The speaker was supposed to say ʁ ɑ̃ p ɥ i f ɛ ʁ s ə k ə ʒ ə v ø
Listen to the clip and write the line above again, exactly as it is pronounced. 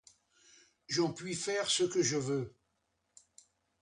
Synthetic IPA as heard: ʒ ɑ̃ p ɥ i f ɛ ʁ s ə k ə ʒ ə v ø